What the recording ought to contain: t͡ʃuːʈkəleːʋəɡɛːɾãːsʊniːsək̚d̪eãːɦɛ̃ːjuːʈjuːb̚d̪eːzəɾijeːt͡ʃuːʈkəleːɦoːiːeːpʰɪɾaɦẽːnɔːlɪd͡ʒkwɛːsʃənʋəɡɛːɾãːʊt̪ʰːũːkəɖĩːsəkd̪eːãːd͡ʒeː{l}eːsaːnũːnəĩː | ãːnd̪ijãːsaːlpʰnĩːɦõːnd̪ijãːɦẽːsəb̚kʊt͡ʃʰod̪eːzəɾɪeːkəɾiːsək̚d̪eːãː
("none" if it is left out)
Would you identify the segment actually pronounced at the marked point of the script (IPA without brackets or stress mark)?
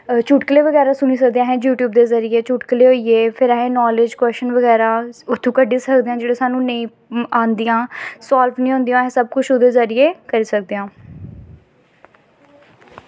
ɽ